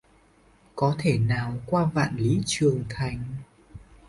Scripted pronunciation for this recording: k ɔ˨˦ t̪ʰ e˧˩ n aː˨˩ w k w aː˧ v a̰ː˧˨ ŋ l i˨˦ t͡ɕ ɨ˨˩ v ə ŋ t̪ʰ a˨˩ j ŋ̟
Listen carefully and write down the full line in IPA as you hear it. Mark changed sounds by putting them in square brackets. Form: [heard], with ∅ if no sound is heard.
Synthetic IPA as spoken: k ɔ˨˦ t̪ʰ e˧˩ n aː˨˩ w k w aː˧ v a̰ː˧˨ [n] l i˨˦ t͡ɕ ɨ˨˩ [∅] ə ŋ t̪ʰ a˨˩ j ŋ̟

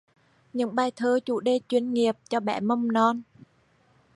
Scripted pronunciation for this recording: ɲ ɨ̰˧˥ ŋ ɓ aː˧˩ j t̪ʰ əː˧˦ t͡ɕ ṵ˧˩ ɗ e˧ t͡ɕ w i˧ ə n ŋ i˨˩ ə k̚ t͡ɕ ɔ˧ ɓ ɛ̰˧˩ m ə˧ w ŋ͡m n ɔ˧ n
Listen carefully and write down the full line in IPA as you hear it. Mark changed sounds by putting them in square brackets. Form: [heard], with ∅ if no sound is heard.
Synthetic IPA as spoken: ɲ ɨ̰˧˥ ŋ ɓ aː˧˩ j t̪ʰ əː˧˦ t͡ɕ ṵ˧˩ ɗ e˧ t͡ɕ w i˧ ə n ŋ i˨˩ ə [p̚] t͡ɕ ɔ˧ ɓ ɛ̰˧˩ m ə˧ w ŋ͡m n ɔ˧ n

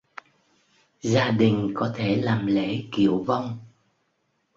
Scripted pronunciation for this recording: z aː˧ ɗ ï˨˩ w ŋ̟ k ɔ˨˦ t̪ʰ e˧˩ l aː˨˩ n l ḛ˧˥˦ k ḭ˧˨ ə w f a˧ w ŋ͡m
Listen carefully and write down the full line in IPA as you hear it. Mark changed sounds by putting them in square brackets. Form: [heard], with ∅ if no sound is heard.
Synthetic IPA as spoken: z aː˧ ɗ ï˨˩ [∅] ŋ̟ k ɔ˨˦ t̪ʰ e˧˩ l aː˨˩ [m] l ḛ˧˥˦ k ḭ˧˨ ə w [v] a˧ w ŋ͡m

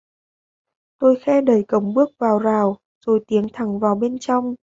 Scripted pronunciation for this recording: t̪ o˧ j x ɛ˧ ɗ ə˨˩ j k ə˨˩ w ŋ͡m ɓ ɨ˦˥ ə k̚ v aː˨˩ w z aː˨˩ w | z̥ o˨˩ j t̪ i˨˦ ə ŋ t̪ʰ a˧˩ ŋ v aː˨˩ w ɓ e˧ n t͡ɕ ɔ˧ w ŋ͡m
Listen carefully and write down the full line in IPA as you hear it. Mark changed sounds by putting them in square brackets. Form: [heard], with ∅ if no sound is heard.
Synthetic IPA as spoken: t̪ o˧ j x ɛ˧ ɗ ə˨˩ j k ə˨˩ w ŋ͡m ɓ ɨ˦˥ ə k̚ v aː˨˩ w z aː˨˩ w | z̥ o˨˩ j t̪ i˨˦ ə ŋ t̪ʰ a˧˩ ŋ v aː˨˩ w ɓ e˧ n t͡ɕ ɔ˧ w ŋ͡m

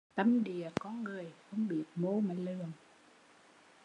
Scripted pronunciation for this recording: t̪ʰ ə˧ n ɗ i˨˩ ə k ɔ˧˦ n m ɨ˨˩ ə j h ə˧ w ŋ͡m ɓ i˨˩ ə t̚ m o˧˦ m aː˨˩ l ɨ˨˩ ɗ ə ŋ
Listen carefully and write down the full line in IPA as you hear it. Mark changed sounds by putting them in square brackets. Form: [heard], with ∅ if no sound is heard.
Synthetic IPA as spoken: [t̪] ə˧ [m] ɗ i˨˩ ə k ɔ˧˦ n [ŋ] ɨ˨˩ ə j [x] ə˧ w ŋ͡m ɓ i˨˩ ə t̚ m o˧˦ m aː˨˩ l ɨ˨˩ [∅] ə ŋ

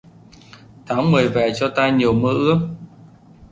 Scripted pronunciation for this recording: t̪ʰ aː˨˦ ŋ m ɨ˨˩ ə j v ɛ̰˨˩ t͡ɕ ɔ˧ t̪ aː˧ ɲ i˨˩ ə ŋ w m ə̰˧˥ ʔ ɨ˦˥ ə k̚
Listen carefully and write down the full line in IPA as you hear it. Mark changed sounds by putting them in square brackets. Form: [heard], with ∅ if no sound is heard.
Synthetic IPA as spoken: t̪ʰ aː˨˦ ŋ m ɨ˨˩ ə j v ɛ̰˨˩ t͡ɕ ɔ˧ t̪ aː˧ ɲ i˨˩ ə [∅] w m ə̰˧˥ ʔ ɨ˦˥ ə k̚

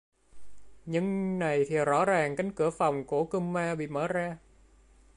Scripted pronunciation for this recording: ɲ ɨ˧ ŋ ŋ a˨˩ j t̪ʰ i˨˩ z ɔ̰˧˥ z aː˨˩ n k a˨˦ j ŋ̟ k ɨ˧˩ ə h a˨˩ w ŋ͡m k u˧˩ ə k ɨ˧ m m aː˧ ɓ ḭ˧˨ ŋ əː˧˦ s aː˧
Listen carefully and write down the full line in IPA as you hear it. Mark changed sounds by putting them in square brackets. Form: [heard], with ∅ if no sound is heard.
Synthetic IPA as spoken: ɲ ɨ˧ ŋ [n] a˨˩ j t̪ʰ i˨˩ z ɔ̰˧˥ z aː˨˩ [ŋ] k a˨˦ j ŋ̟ k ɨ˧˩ ə [f] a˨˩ w ŋ͡m k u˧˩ ə k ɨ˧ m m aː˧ ɓ ḭ˧˨ [m] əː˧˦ [z] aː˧

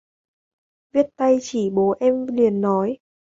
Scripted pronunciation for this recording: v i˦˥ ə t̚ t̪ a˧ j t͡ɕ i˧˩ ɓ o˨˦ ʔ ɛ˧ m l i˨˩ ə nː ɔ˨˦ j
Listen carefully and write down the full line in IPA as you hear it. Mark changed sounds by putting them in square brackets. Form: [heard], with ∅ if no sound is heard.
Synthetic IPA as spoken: v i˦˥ ə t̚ t̪ a˧ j t͡ɕ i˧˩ ɓ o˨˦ ʔ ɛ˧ m l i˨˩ ə nː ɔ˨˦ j

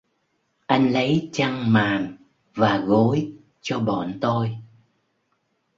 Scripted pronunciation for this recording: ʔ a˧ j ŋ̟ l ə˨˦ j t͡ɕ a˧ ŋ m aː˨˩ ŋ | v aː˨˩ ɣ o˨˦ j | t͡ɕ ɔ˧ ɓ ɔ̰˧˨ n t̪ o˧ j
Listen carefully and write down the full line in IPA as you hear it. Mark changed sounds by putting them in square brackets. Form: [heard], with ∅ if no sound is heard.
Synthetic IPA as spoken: ʔ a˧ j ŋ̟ l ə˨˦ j t͡ɕ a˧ ŋ m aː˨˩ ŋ | v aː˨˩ ɣ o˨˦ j | t͡ɕ ɔ˧ ɓ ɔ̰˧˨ n t̪ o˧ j

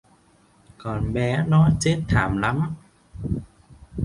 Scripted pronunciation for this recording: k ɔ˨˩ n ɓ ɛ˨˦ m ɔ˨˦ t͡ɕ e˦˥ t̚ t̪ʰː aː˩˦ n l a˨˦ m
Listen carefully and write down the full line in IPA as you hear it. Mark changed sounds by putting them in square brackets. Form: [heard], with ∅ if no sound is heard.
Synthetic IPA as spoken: k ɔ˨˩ n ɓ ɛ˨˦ [n] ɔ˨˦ t͡ɕ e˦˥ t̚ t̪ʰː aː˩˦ [m] l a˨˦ m

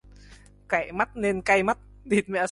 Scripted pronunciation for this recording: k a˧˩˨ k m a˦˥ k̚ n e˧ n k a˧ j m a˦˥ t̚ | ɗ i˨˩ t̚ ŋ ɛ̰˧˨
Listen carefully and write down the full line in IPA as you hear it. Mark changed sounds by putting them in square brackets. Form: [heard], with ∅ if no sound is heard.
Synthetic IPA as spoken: k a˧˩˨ [∅] m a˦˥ [t̚] n e˧ n k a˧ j m a˦˥ t̚ | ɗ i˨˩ t̚ [m] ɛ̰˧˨

